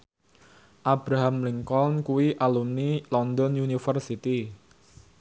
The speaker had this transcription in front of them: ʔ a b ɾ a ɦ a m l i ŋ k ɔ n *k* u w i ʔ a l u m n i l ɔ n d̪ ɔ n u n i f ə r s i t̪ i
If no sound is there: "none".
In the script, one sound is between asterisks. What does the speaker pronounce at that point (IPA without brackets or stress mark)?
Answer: k